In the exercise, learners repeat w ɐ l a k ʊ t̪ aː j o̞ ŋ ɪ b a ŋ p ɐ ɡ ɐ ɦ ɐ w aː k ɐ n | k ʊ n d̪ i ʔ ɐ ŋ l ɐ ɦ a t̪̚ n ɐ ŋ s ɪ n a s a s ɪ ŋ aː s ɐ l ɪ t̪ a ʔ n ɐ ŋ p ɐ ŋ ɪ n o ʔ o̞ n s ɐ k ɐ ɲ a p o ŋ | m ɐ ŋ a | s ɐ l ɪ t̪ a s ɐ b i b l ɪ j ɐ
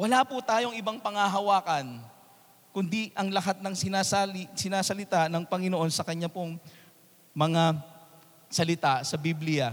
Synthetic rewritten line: w ɐ l a p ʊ t̪ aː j o̞ ŋ ɪ b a ŋ p ɐ ŋ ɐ ɦ ɐ w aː k ɐ n | k ʊ n d̪ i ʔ ɐ ŋ l ɐ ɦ a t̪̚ n ɐ ŋ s ɪ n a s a s ɪ n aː s ɐ l ɪ t̪ a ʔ n ɐ ŋ p ɐ ŋ ɪ n o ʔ o̞ n s ɐ k ɐ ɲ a p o ŋ | m ɐ ŋ a | s ɐ l ɪ t̪ a s ɐ b i b l ɪ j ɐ